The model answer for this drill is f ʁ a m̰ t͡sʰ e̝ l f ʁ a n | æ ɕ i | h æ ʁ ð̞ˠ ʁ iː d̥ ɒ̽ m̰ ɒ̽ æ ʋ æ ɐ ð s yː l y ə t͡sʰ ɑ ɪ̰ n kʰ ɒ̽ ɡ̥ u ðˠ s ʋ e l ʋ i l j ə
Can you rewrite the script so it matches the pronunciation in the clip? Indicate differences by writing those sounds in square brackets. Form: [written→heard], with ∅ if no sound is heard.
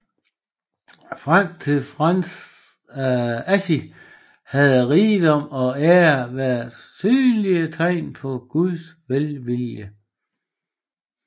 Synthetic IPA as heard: f ʁ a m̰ t͡sʰ e̝ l f ʁ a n | æ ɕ i | h æ [ʁ→∅] ð̞ˠ ʁ iː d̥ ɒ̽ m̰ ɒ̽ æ ʋ æ ɐ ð s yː l [y→i] ə t͡sʰ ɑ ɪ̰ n [kʰ→pʰ] ɒ̽ ɡ̥ u ðˠ s ʋ e l ʋ i l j ə

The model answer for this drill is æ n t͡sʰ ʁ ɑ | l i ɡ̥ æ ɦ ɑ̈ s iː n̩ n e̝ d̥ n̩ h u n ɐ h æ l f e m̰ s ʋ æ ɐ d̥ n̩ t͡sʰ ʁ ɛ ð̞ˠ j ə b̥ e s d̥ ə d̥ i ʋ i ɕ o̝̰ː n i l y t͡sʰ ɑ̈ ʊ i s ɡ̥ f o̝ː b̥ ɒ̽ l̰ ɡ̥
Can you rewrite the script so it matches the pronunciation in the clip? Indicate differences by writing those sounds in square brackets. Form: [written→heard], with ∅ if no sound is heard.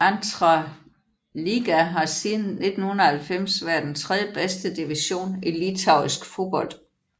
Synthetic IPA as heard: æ n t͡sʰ ʁ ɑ | l i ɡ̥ æ ɦ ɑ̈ s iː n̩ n e̝ d̥ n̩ h u n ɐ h æ l f e m̰ s ʋ æ ɐ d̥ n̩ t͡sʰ ʁ ɛ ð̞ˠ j ə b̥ e s d̥ ə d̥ i ʋ i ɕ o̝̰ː n i l [y→i] t͡sʰ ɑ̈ ʊ i s ɡ̥ f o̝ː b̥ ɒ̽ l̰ [ɡ̥→d̥]

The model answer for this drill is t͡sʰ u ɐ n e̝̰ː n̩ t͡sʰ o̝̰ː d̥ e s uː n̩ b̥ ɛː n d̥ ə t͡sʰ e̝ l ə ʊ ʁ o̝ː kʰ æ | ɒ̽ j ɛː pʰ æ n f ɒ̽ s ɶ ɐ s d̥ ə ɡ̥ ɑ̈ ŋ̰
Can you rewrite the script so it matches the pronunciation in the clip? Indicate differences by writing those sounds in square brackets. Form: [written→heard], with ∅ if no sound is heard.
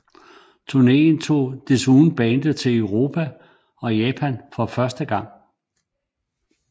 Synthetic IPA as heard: t͡sʰ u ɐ n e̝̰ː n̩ t͡sʰ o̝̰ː d̥ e s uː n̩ b̥ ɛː n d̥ ə t͡sʰ e̝ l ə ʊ ʁ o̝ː [kʰ→pʰ] æ | ɒ̽ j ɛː pʰ æ n f ɒ̽ [s→f] ɶ ɐ s d̥ ə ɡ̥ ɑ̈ ŋ̰

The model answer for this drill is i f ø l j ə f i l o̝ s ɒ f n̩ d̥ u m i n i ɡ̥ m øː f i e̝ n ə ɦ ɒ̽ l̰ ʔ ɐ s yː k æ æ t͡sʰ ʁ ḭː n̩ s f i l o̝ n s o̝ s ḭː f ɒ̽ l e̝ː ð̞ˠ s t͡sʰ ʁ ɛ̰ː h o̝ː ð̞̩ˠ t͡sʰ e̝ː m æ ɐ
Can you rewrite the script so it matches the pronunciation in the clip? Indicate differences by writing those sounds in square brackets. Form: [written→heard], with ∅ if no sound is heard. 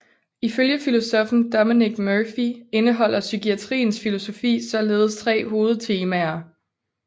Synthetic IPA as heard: i f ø l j ə f i l o̝ s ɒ f n̩ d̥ [u→ɒ] m i n i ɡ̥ m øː f i e̝ n ə ɦ ɒ̽ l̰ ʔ ɐ s [yː→y] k [æ→i] æ t͡sʰ ʁ ḭː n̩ s f i l o̝ [n→∅] s o̝ [s→f] ḭː [f→s] ɒ̽ l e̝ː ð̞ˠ s t͡sʰ ʁ ɛ̰ː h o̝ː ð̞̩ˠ t͡sʰ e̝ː m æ ɐ

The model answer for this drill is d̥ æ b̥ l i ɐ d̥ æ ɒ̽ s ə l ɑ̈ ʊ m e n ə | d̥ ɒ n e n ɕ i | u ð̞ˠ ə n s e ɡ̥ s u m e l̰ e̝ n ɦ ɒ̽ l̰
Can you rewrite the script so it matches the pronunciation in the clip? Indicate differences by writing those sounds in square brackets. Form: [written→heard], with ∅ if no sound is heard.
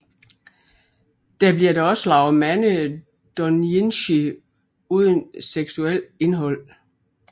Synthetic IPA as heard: d̥ æ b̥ l i ɐ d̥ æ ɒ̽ s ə l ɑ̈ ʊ m [e→æ] n ə | d̥ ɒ n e n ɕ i | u ð̞ˠ ə n s e ɡ̥ s u [m→∅] e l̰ e̝ n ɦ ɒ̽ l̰

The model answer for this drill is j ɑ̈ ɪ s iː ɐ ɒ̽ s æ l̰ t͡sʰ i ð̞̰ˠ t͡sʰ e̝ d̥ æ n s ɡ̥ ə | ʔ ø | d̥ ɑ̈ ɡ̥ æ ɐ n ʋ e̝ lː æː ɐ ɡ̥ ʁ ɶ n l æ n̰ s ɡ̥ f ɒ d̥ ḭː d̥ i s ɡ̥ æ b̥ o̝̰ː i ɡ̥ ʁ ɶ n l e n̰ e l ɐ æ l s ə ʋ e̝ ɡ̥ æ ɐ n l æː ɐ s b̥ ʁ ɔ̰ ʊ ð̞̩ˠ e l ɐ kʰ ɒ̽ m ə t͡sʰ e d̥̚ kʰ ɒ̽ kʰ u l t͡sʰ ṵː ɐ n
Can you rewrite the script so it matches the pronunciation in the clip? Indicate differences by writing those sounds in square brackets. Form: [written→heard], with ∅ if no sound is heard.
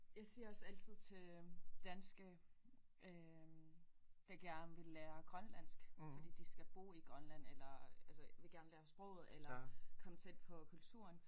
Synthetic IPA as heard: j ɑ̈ ɪ s iː ɐ ɒ̽ s æ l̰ t͡sʰ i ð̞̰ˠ t͡sʰ e̝ d̥ æ n s ɡ̥ ə | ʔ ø | d̥ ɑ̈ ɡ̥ æ ɐ n ʋ e̝ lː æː ɐ ɡ̥ ʁ ɶ n l æ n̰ s ɡ̥ f ɒ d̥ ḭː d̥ i s ɡ̥ æ b̥ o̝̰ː i ɡ̥ ʁ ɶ n l [e→æ] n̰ e l ɐ æ l s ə ʋ e̝ ɡ̥ æ ɐ n l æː ɐ s b̥ ʁ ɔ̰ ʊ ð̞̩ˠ e l ɐ kʰ ɒ̽ m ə t͡sʰ e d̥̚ [kʰ→pʰ] ɒ̽ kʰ u l t͡sʰ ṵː ɐ n

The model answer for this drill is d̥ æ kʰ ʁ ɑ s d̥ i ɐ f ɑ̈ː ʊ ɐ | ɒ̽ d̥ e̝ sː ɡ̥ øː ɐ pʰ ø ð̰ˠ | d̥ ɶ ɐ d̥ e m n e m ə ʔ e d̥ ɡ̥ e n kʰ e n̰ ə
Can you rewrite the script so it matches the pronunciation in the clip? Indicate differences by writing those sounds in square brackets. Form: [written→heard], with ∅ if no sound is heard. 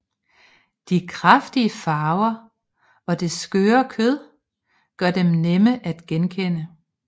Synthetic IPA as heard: d̥ [æ→i] kʰ ʁ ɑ [s→f] d̥ i [ɐ→ə] f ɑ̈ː ʊ ɐ | ɒ̽ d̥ e̝ [sː→s] ɡ̥ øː ɐ [pʰ→kʰ] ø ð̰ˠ | [d̥→ɡ̥] ɶ ɐ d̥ e m n e m ə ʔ [e→æ] d̥ ɡ̥ e n kʰ e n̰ ə

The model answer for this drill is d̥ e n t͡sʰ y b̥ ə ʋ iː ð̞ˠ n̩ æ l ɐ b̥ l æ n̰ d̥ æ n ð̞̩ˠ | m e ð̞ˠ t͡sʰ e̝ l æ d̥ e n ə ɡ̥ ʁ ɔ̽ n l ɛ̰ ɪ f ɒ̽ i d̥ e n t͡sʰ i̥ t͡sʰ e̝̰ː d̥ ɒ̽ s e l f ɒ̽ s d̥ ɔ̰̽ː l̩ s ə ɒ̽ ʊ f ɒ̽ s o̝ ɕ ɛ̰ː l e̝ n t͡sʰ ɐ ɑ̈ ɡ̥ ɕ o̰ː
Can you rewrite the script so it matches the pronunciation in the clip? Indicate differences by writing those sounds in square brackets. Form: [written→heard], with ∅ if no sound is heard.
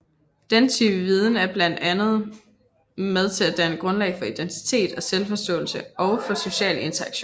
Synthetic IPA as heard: d̥ e n t͡sʰ y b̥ ə ʋ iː ð̞ˠ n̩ æ [l→∅] ɐ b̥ l æ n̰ d̥ æ n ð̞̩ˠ | m e ð̞ˠ t͡sʰ e̝ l æ d̥ [e→æ] n ə ɡ̥ ʁ ɔ̽ n l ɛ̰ ɪ f ɒ̽ i d̥ e n t͡sʰ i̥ t͡sʰ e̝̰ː d̥ ɒ̽ s e l f ɒ̽ s d̥ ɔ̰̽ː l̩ s ə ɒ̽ ʊ f ɒ̽ s o̝ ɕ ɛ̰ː l e̝ n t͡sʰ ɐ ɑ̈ ɡ̥ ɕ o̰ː

